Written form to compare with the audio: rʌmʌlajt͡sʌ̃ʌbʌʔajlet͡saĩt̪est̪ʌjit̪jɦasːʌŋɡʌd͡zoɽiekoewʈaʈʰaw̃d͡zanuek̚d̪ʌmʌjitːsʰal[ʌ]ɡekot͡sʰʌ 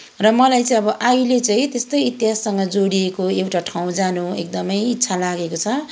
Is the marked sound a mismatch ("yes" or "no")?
yes